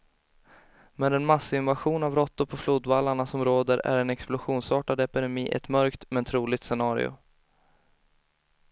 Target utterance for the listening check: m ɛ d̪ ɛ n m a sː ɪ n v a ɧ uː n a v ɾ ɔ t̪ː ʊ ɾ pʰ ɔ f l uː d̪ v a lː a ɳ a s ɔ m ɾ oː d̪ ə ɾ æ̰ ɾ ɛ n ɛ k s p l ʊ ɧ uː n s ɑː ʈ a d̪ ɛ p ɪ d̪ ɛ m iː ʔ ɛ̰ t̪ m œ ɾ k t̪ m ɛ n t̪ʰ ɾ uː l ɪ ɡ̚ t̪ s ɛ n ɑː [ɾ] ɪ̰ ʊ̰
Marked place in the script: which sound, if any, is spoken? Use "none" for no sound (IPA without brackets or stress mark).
ɾ